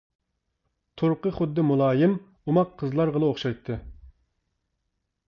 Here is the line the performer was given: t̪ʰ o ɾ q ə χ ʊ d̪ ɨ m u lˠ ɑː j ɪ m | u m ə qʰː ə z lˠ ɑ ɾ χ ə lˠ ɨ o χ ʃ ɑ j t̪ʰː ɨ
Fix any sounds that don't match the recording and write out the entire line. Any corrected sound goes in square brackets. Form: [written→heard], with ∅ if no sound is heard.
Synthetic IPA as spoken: t̪ʰ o ɾ q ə χ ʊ [d̪→d̪ː] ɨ m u lˠ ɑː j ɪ m | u m [ə→ɑ] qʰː ə z lˠ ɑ ɾ [χ→ʁ] ə lˠ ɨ o χ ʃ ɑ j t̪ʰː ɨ

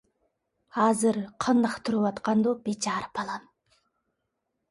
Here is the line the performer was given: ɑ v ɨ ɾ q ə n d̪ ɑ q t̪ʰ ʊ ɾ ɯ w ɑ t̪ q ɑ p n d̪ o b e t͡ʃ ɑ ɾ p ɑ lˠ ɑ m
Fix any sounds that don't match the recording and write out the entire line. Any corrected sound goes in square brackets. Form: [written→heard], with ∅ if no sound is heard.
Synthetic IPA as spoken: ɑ [v→z] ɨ ɾ [q→qʰ] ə n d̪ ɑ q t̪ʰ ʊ ɾ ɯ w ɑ t̪ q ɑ [p→∅] n d̪ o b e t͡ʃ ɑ ɾ p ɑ lˠ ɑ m

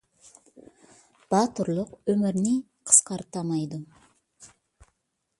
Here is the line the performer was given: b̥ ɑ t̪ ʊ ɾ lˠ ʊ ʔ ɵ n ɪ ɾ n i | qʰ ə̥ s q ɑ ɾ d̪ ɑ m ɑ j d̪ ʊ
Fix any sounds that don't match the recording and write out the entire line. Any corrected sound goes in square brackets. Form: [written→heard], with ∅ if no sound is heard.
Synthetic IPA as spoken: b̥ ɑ t̪ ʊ ɾ lˠ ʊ [ʔ→q] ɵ [n→m] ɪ ɾ n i | qʰ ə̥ s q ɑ ɾ [d̪→t̪] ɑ m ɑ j d̪ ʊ

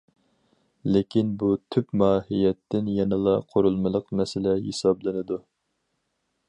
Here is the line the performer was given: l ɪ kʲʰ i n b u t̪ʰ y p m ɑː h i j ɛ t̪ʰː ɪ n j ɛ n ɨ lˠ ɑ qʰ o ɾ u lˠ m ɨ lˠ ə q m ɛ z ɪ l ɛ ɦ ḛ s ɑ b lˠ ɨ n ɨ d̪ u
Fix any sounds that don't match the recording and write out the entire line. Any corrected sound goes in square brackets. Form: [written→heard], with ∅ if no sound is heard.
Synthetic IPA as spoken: l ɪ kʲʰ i n b u t̪ʰ y p m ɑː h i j ɛ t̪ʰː ɪ n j ɛ n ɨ lˠ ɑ qʰ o ɾ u lˠ m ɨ lˠ ə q m ɛ [z→s] ɪ l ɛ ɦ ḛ s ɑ b lˠ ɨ n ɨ d̪ u

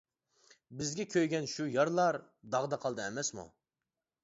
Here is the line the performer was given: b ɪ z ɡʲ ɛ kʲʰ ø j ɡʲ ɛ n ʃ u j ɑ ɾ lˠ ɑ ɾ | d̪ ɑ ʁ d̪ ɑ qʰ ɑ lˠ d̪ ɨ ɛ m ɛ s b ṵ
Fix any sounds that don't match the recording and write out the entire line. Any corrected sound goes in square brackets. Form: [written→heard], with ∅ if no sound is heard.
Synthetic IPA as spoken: b ɪ z ɡʲ ɛ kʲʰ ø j ɡʲ ɛ n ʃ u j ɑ ɾ lˠ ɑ ɾ | d̪ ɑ ʁ d̪ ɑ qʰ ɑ lˠ d̪ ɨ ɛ m ɛ s [b→m] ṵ

